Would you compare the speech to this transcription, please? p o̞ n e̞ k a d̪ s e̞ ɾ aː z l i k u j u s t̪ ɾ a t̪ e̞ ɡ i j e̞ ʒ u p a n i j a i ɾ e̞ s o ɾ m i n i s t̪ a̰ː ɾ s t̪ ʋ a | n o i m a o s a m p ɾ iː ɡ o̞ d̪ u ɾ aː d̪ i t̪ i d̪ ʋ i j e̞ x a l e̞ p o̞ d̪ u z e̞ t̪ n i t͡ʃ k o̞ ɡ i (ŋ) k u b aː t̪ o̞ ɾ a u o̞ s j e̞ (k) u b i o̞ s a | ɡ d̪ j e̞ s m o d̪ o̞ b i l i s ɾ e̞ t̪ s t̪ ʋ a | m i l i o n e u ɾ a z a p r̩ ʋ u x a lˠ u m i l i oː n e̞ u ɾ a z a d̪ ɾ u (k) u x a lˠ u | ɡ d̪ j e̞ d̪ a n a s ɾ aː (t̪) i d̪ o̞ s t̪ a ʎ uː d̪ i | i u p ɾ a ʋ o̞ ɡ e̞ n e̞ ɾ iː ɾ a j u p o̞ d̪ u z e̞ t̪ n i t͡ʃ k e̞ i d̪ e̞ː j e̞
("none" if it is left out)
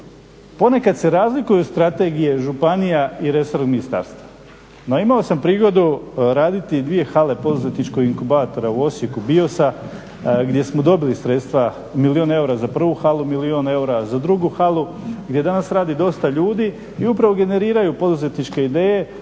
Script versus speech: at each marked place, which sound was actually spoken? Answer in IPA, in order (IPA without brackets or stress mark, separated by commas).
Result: ŋ, k, ɡ, d̪